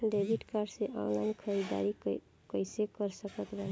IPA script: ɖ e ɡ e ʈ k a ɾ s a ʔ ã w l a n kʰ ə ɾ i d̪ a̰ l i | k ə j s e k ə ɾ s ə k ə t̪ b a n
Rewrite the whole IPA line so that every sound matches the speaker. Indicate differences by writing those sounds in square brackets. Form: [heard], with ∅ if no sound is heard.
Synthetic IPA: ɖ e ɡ [i] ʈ k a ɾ s [e] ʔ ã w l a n kʰ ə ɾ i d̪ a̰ [ɾ] i | k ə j s e k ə ɾ s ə k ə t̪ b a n